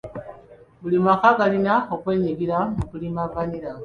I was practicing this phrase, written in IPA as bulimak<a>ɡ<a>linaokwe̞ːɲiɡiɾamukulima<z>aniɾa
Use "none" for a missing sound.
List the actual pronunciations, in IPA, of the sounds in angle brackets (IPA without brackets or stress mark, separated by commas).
a, a, v